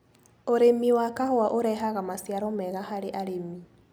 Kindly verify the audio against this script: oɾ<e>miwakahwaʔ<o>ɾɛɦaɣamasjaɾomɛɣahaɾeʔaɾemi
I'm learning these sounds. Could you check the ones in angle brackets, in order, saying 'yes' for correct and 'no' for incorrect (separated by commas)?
yes, yes